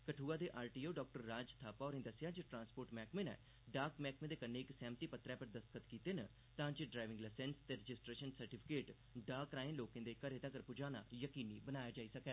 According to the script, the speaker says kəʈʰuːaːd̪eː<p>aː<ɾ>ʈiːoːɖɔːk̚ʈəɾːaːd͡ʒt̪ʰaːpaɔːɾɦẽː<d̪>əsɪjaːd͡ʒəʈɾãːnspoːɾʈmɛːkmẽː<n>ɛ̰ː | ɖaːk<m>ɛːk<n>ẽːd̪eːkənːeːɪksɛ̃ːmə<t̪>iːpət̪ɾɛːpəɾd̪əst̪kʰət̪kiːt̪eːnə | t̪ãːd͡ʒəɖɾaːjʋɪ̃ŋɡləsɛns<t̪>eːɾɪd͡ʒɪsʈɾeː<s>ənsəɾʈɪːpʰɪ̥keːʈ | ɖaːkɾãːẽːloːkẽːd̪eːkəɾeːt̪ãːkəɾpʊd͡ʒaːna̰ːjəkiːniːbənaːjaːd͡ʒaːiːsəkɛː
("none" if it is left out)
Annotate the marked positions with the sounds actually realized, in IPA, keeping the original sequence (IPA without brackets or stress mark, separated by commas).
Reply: ʔ, ɾ, d̪, n, m, m, t̪, t̪, ʃ